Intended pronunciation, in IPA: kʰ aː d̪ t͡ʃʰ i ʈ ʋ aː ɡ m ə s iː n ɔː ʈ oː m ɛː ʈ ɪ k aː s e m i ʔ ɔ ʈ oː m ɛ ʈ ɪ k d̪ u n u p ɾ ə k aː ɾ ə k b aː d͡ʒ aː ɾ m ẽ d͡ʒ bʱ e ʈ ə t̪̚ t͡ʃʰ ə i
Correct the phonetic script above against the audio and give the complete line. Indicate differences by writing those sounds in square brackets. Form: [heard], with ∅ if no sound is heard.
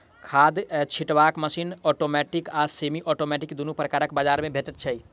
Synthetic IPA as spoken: kʰ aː d̪ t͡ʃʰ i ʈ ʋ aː [k] m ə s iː n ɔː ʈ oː m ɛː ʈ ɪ k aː s e m i ʔ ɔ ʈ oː m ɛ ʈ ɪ k d̪ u n u p ɾ ə k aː ɾ ə k b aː d͡ʒ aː ɾ m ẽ [∅] bʱ e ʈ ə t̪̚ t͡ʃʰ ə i